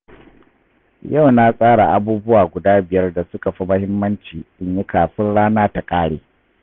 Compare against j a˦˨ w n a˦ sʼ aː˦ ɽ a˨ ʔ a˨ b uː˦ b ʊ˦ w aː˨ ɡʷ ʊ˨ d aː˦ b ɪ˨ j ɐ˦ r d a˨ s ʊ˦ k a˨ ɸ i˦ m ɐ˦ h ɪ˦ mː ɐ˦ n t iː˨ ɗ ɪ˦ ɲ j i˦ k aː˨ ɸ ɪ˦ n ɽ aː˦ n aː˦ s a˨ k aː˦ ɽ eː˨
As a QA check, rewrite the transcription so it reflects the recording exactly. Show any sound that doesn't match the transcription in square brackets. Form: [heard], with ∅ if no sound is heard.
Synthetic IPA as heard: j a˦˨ w n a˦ sʼ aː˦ ɽ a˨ ʔ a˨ b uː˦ b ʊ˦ w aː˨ ɡʷ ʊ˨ d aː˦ b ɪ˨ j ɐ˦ r d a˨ s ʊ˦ k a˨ ɸ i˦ m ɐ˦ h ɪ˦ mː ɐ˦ n [t͡ʃ] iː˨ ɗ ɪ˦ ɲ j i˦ k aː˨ ɸ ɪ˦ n ɽ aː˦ n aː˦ [t] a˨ [kʼ] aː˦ ɽ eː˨